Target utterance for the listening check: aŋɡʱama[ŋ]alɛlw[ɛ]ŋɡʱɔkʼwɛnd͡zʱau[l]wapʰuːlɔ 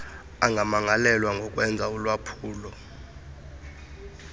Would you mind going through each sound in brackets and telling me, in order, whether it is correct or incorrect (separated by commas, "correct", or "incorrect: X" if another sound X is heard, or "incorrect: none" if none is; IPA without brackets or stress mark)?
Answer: correct, incorrect: a, correct